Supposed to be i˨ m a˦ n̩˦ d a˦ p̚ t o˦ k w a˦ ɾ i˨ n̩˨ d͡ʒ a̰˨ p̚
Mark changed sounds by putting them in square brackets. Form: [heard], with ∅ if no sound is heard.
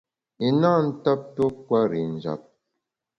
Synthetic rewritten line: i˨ [n] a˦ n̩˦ [t] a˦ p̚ t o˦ k w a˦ ɾ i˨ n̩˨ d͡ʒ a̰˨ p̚